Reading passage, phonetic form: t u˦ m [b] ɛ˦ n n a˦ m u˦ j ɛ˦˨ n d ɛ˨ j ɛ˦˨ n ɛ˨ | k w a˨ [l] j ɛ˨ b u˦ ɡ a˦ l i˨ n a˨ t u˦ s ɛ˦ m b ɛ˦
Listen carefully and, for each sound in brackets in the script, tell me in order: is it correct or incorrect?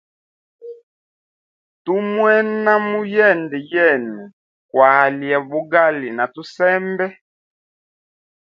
incorrect: w, correct

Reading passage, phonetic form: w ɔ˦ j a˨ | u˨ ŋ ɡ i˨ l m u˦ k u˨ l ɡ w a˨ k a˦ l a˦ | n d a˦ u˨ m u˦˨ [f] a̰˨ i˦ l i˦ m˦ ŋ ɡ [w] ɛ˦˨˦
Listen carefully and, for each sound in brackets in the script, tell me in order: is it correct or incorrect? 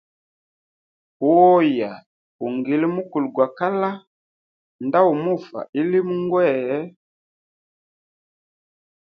correct, correct

